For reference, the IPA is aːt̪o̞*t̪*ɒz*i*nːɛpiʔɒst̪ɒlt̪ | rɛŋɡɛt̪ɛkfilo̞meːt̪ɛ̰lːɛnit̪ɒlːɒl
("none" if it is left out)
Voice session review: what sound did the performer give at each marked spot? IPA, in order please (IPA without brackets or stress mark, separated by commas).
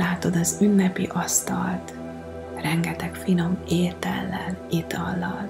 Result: d̪, y